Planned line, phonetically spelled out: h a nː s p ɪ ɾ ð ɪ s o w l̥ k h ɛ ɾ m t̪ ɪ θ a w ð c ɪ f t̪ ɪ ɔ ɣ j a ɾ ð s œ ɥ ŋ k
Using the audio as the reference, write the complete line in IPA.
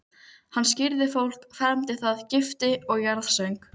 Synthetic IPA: h a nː s c ɪ ɾ ð ɪ f o w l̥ k f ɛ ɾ m t̪ ɪ θ a ð c ɪ f t̪ ɪ ɔ ɣ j a ɾ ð s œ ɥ ŋ k